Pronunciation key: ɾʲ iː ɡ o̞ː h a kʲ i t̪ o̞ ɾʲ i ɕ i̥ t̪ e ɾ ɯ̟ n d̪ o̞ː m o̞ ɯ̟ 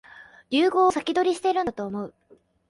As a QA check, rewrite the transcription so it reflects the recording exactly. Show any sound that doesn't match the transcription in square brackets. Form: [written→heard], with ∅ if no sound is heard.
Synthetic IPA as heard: ɾʲ [iː→ɨː] ɡ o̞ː [h→s] a kʲ i [t̪→d̪] o̞ ɾʲ i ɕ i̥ t̪ e ɾ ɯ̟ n [d̪→t̪] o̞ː m o̞ ɯ̟